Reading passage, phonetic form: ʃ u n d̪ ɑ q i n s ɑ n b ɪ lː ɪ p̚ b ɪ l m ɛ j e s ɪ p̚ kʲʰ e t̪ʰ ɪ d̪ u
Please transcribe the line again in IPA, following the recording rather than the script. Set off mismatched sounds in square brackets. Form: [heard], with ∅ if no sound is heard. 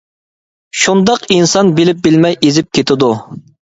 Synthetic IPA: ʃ u n d̪ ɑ q i n s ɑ n b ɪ [l] ɪ p̚ b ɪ l m ɛ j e [z] ɪ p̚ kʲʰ e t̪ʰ ɪ d̪ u